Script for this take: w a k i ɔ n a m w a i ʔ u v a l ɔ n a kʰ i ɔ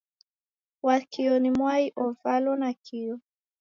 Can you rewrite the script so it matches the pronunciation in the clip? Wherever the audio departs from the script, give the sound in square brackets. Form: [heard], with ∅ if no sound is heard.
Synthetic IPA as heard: w a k i ɔ n [i] m w a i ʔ [ɔ] v a l ɔ n a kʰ i ɔ